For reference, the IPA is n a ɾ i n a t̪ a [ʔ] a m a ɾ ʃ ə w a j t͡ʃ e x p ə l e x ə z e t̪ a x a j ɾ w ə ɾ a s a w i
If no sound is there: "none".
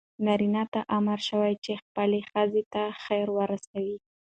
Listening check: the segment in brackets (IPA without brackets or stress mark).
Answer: ʔ